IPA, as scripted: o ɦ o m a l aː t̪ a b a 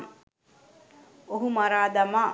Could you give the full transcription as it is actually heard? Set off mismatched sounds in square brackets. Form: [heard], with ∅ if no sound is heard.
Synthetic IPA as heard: o ɦ [u] m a [ɾ] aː [d̪] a [m] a